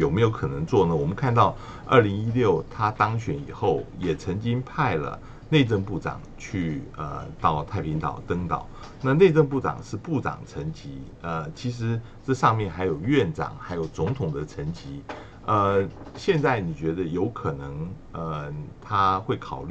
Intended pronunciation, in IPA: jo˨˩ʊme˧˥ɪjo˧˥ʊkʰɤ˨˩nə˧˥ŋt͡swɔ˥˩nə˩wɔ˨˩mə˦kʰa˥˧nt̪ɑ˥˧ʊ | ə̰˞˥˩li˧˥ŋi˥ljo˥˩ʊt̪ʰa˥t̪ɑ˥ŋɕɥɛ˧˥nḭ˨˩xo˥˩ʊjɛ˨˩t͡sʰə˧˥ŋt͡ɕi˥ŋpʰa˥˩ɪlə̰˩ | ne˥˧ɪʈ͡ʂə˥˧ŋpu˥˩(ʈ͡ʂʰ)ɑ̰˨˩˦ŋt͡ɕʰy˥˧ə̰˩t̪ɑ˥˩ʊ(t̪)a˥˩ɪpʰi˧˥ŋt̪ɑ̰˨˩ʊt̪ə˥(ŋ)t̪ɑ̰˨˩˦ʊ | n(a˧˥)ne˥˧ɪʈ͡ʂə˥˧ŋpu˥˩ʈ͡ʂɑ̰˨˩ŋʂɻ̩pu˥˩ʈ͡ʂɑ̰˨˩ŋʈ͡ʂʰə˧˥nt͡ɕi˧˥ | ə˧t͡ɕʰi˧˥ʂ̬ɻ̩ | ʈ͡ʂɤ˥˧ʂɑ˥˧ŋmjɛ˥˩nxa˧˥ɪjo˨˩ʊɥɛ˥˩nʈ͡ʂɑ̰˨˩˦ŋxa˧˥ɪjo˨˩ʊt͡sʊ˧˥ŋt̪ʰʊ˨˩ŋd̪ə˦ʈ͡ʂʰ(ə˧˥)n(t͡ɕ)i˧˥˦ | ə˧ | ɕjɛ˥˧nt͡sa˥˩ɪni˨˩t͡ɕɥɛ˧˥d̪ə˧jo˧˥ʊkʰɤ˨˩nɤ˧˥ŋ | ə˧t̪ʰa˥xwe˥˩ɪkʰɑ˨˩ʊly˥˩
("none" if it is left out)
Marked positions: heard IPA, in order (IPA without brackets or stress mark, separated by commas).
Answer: ʈ͡ʂ, t̪ʰ, ŋ, a˥˧, ə˧˥, t͡ɕ